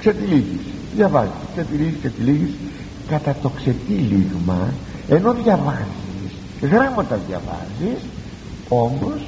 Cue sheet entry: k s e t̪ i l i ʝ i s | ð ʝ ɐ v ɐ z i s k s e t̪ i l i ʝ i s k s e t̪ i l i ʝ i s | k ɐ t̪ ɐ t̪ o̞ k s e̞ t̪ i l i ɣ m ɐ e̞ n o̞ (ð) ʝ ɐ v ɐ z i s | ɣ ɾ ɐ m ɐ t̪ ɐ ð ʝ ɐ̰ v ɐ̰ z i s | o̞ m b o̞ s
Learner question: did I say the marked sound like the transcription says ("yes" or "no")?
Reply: yes